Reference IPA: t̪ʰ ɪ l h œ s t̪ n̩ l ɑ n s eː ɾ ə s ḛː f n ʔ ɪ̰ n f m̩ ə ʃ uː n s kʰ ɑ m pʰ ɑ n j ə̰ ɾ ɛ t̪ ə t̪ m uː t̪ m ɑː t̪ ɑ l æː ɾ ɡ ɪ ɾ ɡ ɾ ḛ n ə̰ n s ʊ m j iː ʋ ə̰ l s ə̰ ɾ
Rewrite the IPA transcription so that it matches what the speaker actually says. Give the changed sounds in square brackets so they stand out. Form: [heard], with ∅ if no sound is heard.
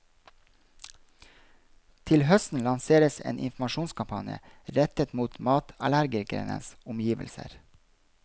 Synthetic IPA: t̪ʰ ɪ l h œ s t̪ n̩ l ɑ n s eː ɾ ə s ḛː [∅] n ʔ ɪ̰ n f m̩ [ɑ] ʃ uː n s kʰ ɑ m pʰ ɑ n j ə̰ ɾ ɛ t̪ ə t̪ m uː t̪ m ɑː t̪ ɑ l [æ] ɾ ɡ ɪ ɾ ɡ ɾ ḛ n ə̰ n s ʊ m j iː ʋ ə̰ l s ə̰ ɾ